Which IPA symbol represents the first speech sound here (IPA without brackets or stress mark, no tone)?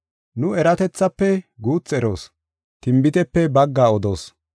n